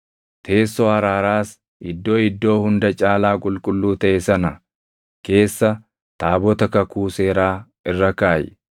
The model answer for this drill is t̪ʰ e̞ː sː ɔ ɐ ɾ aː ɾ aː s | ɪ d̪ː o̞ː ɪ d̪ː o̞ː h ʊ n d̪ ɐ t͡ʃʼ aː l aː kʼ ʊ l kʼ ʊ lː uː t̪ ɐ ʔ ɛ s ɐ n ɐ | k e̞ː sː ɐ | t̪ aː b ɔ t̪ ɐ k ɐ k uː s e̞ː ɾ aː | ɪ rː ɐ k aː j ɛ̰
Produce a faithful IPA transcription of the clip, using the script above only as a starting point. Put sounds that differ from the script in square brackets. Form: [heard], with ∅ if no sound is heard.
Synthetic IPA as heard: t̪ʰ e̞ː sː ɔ ɐ ɾ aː ɾ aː s | ɪ d̪ː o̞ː ɪ d̪ː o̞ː h ʊ n d̪ ɐ t͡ʃʼ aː l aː kʼ ʊ l kʼ ʊ lː uː t̪ ɐ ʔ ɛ s ɐ n ɐ | k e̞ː sː ɐ | t̪ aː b ɔ t̪ ɐ k ɐ k uː s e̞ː ɾ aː | ɪ rː ɐ k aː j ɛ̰